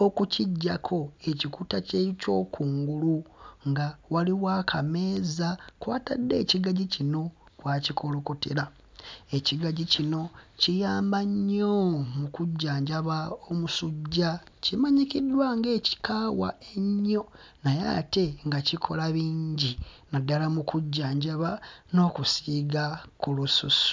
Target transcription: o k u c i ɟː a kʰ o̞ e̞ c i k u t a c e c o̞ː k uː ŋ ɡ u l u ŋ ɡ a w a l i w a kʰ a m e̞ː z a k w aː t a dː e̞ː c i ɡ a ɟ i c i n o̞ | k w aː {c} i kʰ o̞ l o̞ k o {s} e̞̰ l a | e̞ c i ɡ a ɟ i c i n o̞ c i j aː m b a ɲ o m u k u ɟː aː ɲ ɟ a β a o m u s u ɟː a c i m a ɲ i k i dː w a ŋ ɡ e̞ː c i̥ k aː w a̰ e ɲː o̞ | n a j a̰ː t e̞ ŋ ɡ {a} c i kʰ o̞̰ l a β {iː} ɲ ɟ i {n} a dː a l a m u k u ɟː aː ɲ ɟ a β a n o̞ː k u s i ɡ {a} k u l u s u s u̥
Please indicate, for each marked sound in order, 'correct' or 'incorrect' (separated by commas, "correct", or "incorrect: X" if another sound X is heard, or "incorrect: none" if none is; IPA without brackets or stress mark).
correct, incorrect: t, correct, correct, correct, correct